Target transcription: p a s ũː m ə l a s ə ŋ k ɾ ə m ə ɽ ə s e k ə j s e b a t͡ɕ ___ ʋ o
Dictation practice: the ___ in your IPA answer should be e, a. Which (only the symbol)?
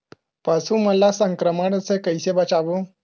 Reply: a